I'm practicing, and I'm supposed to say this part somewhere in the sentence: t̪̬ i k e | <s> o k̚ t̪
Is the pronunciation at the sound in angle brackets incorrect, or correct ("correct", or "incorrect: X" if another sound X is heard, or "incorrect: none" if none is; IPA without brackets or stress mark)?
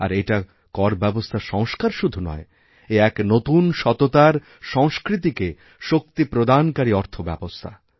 incorrect: ʃ